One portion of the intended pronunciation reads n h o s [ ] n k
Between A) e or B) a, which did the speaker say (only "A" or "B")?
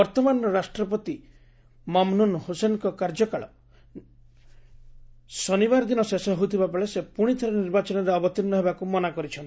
A